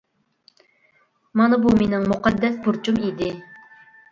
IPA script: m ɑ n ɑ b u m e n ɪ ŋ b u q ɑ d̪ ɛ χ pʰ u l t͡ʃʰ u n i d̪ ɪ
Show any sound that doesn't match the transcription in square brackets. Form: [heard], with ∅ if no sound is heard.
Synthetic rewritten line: m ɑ n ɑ b u m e n ɪ ŋ [m] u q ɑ [d̪ː] ɛ [s] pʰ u [ɾ] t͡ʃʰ u [m] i d̪ ɪ